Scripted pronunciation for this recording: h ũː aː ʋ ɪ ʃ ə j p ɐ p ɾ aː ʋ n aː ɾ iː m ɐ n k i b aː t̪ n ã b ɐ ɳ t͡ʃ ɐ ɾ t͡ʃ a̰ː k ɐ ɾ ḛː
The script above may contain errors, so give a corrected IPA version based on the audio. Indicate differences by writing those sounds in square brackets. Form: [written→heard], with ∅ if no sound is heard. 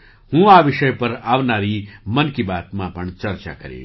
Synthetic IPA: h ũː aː ʋ ɪ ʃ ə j p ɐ [p→∅] ɾ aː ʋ n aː ɾ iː m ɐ n k i b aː t̪ [n→m] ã [b→p] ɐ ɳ t͡ʃ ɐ ɾ t͡ʃ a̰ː k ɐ ɾ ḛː